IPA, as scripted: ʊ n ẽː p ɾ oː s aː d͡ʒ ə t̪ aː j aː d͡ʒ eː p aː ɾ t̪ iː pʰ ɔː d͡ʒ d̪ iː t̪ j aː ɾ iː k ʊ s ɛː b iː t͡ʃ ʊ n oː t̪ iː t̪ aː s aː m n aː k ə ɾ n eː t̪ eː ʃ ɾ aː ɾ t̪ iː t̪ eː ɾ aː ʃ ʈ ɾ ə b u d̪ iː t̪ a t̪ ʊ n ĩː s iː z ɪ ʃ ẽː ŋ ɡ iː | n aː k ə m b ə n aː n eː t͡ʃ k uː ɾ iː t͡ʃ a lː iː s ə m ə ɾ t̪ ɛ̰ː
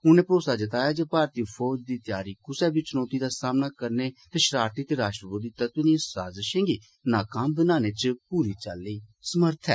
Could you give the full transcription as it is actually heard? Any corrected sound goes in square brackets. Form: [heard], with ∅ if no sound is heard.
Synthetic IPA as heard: ʊ n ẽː p ɾ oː s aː d͡ʒ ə t̪ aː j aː d͡ʒ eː p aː ɾ t̪ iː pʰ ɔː d͡ʒ d̪ iː t̪ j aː ɾ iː k ʊ s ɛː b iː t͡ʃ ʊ n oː t̪ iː [d̪] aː s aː m n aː k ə ɾ n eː t̪ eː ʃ ɾ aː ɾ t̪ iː t̪ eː ɾ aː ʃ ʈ ɾ ə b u d̪ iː t̪ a t̪ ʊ n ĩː s [aː] z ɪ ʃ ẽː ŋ ɡ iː | n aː k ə m b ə n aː n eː t͡ʃ [p] uː ɾ iː t͡ʃ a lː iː s ə m ə ɾ [t̪ʰ] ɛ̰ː